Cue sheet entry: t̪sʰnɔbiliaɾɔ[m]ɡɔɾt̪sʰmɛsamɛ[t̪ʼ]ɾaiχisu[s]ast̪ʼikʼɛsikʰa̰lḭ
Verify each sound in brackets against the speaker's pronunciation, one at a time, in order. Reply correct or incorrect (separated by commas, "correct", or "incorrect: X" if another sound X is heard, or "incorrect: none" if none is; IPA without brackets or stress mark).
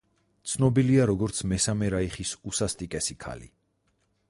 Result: incorrect: none, incorrect: none, correct